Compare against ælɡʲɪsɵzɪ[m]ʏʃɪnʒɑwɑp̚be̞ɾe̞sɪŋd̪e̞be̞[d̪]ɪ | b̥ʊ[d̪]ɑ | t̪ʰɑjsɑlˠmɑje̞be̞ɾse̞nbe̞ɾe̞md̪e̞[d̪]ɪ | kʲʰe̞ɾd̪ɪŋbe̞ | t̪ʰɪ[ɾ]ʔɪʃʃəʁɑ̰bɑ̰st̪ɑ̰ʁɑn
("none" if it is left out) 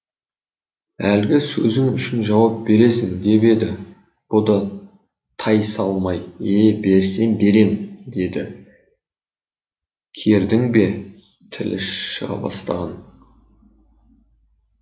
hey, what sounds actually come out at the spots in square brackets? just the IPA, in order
ŋ, d̪, d̪, d̪, l

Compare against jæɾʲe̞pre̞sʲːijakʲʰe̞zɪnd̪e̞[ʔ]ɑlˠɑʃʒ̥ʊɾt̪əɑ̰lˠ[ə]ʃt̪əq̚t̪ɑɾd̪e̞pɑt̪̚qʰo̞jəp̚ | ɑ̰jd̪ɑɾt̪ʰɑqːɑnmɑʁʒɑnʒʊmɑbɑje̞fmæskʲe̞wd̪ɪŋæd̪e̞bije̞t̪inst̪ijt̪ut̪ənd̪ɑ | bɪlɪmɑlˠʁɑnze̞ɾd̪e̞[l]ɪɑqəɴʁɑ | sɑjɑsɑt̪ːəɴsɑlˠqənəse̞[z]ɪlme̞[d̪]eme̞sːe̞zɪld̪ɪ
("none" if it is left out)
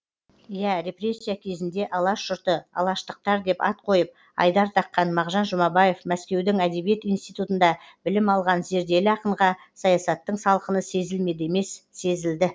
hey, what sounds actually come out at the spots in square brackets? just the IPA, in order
ʔ, ɑ, l, z, d̪

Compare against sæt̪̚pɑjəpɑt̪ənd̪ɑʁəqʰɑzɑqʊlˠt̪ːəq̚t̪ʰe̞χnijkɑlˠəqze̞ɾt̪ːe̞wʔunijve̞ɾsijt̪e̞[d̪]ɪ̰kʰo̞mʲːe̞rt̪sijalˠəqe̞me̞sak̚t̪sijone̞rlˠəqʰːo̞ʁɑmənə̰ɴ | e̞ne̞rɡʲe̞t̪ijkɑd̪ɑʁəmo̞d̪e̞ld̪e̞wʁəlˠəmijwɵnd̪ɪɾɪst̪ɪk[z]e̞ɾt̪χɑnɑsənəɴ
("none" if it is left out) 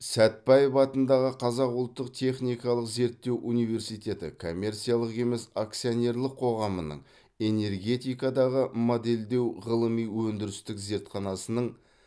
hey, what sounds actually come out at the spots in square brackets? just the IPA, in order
t̪, z

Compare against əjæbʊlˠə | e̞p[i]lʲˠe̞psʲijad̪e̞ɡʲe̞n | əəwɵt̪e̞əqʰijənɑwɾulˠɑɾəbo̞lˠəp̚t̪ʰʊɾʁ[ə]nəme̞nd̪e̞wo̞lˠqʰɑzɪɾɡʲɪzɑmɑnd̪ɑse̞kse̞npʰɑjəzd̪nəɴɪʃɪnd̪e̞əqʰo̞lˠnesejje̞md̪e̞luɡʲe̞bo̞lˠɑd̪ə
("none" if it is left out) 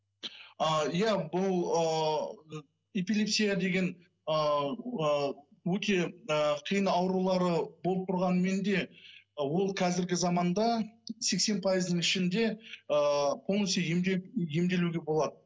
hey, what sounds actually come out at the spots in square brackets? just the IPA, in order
i, ɑ

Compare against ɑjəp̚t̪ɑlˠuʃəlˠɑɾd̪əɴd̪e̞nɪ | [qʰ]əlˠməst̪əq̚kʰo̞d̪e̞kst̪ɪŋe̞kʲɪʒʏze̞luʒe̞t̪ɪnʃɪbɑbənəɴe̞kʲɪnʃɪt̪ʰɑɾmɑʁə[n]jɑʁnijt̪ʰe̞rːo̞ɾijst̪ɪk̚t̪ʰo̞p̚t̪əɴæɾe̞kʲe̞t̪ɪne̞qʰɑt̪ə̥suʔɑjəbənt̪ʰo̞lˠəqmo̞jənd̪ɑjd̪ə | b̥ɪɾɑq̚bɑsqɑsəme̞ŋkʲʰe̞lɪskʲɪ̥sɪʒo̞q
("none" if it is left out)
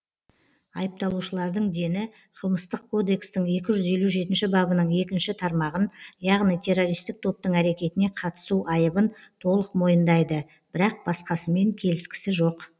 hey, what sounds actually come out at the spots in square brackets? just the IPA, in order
qʰ, n

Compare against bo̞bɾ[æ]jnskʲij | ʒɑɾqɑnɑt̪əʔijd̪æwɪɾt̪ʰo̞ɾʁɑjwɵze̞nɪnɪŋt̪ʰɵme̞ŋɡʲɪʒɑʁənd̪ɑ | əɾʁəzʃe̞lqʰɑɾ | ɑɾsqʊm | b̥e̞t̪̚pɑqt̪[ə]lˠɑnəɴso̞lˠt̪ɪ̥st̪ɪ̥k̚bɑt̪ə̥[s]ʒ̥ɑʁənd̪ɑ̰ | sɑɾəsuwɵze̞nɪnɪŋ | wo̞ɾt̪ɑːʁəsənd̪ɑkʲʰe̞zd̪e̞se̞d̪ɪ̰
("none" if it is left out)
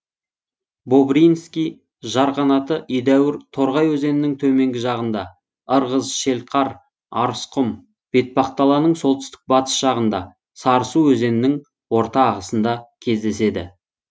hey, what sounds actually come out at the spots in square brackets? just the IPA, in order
i, ɑ, s

